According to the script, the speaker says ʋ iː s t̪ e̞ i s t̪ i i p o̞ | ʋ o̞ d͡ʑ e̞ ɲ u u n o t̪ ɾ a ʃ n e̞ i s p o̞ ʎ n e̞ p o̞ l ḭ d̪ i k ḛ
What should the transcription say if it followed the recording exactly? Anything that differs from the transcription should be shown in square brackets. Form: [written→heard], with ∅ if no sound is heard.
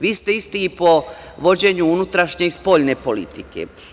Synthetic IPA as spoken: ʋ iː s t̪ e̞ i s t̪ i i p o̞ | ʋ o̞ d͡ʑ e̞ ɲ u u n [o→u] t̪ ɾ a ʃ [n→ɲ] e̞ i s p o̞ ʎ n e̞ p o̞ l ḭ [d̪→t̪] i k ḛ